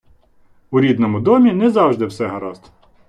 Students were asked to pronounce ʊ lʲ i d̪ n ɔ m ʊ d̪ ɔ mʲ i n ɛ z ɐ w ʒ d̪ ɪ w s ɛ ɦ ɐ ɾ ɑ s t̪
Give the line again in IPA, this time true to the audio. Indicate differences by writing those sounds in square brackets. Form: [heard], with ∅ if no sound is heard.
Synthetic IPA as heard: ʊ [ɾʲ] i d̪ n ɔ m ʊ d̪ ɔ mʲ i n ɛ z [ɑ] w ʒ d̪ ɪ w s ɛ ɦ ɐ ɾ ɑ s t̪

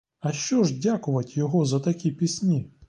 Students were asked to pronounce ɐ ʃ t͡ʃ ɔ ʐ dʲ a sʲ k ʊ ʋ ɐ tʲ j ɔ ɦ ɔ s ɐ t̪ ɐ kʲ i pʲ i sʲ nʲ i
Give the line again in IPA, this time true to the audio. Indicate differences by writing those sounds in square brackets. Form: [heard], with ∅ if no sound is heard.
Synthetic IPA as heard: ɐ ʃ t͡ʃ ɔ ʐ dʲ a [∅] k ʊ ʋ ɐ tʲ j ɔ ɦ ɔ [z] ɐ t̪ ɐ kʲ i pʲ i sʲ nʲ i

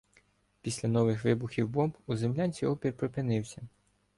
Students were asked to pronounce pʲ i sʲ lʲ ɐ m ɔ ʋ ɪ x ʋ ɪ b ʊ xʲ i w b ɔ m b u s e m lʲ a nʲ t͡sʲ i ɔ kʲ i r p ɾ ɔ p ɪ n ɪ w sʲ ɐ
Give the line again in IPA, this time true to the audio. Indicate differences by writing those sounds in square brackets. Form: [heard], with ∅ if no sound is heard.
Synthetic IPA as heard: pʲ i sʲ lʲ ɐ [n] ɔ ʋ ɪ x ʋ ɪ b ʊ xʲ i w b ɔ m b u [z] e m lʲ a nʲ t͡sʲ i ɔ [pʲ] i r p ɾ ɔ p ɪ n ɪ w sʲ ɐ

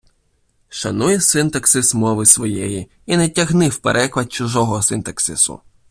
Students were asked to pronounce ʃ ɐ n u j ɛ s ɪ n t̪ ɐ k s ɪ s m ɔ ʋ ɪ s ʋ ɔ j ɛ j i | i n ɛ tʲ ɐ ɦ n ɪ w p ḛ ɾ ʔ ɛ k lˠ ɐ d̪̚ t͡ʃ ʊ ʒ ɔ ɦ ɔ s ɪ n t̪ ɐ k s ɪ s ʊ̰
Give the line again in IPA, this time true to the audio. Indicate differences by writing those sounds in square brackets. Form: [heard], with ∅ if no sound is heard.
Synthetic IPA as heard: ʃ ɐ n u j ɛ s ɪ n t̪ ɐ k s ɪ s m ɔ ʋ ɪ s ʋ ɔ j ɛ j i | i n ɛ tʲ ɐ ɦ n ɪ w p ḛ ɾ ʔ ɛ k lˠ ɐ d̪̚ t͡ʃ ʊ ʒ ɔ ɦ ɔ s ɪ n t̪ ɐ k s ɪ s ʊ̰

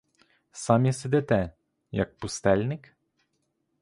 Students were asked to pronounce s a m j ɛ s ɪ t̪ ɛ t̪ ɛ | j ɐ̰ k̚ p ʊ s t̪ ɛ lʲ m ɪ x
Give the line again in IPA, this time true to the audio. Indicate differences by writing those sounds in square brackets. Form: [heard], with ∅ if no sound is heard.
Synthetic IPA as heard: s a m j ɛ s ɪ [d̪] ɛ t̪ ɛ | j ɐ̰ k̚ p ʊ s t̪ ɛ lʲ [n] ɪ [k]

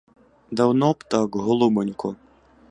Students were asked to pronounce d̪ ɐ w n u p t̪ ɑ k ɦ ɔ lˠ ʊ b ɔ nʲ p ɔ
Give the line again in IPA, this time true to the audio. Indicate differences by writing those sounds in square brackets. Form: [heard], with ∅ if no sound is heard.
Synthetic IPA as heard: d̪ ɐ w n [ɔ] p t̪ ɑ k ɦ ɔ lˠ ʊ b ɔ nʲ [k] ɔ

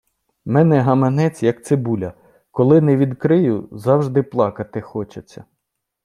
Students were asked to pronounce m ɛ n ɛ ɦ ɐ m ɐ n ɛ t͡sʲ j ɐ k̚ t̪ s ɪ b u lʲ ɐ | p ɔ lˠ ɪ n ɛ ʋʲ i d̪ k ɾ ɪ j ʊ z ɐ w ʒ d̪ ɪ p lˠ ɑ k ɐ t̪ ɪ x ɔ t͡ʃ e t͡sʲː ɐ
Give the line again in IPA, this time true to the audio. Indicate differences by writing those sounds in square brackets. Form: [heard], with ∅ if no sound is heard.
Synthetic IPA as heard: m ɛ n ɛ ɦ ɐ m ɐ n ɛ t͡sʲ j ɐ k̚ t̪ s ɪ b u lʲ ɐ | [k] ɔ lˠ ɪ n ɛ ʋʲ i d̪ k ɾ ɪ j ʊ z [ɑ] w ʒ d̪ ɪ p lˠ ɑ k ɐ t̪ ɪ x ɔ t͡ʃ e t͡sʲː ɐ

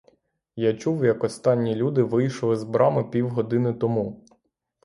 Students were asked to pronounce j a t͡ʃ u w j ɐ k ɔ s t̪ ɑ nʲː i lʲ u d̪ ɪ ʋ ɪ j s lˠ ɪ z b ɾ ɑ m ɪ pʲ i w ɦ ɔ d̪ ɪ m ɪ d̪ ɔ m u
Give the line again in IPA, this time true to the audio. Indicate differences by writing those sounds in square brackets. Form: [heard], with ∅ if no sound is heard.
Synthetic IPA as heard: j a t͡ʃ u w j ɐ k ɔ s t̪ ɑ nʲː i lʲ u d̪ ɪ ʋ ɪ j [ʃ] lˠ ɪ z b ɾ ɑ m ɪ pʲ i w ɦ ɔ d̪ ɪ [n] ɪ [t̪] ɔ m u

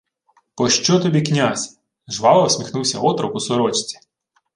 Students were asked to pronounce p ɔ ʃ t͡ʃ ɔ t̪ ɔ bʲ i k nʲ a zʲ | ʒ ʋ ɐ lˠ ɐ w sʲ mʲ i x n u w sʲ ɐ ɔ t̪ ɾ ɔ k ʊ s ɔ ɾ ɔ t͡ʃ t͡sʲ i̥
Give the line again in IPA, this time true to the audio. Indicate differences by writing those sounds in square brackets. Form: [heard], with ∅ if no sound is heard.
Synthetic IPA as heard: p ɔ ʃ t͡ʃ ɔ t̪ ɔ bʲ i k nʲ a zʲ | ʒ ʋ [ɑ] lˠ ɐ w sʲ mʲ i x n u w sʲ ɐ ɔ t̪ ɾ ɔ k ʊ s ɔ ɾ ɔ t͡ʃ t͡sʲ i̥

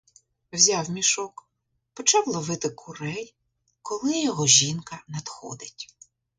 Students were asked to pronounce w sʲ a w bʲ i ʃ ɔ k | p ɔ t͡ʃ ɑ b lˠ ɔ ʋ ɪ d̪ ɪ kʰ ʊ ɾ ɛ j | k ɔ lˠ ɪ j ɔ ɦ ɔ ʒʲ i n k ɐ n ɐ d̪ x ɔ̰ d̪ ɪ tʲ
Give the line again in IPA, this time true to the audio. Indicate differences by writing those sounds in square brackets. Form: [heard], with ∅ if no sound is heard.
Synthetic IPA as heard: w [zʲ] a w [mʲ] i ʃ ɔ k | p ɔ t͡ʃ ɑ [w] lˠ ɔ ʋ ɪ [t̪] ɪ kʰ ʊ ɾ ɛ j | k ɔ lˠ ɪ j ɔ ɦ ɔ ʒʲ i n k ɐ n ɐ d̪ x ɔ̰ d̪ ɪ tʲ

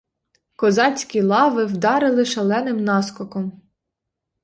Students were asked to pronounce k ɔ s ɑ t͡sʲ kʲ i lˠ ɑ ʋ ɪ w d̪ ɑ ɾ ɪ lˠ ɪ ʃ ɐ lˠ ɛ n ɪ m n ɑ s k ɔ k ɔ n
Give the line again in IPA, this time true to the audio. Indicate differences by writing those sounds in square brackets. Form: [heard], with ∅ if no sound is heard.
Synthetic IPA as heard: k ɔ [z] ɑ t͡sʲ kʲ i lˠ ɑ ʋ ɪ w d̪ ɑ ɾ ɪ lˠ ɪ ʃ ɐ lˠ ɛ n ɪ m n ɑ s k ɔ k ɔ [m]

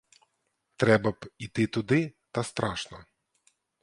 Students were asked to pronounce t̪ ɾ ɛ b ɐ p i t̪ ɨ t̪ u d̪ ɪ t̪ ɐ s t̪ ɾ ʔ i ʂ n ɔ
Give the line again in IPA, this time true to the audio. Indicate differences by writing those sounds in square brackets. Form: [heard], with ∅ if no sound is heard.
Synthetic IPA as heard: t̪ ɾ ɛ b ɐ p i t̪ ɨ t̪ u d̪ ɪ t̪ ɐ s t̪ ɾ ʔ [a] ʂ n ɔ

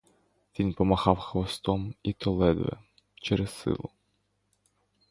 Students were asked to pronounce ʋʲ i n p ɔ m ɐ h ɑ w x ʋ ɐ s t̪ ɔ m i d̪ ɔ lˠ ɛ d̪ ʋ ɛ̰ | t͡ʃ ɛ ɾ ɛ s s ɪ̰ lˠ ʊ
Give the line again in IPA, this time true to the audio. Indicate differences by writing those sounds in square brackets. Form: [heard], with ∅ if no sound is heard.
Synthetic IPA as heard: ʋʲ i n p ɔ m ɐ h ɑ w x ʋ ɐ s t̪ ɔ m i [t̪] ɔ lˠ ɛ d̪ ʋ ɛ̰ | t͡ʃ ɛ ɾ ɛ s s ɪ̰ lˠ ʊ

